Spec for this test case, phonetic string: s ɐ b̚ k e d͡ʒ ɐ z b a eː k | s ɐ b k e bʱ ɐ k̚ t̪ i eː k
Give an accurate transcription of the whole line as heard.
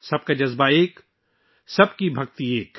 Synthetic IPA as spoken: s ɐ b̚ k a d͡ʒ ɐ z b a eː k | s ɐ b k i bʱ ɐ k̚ t̪ i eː k